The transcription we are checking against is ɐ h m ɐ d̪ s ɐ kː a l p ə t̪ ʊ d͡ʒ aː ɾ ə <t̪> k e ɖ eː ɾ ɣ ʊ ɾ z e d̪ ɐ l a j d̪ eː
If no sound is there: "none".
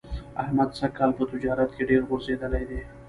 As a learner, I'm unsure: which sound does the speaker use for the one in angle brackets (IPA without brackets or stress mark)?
t̪